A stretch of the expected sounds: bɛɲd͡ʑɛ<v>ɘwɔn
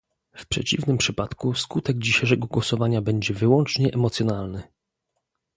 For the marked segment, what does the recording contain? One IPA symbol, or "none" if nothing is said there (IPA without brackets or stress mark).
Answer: v